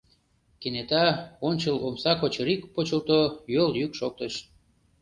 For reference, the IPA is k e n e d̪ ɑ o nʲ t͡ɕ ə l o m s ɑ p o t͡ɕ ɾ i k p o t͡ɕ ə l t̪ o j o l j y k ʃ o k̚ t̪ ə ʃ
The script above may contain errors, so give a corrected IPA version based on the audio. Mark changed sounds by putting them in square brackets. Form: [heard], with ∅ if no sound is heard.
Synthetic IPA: k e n e [t̪] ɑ o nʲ t͡ɕ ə l o m s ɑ [k] o t͡ɕ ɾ i k p o t͡ɕ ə l t̪ o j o l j y k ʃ o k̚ t̪ ə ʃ